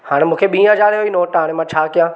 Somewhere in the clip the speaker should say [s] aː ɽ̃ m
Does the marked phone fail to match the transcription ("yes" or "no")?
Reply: yes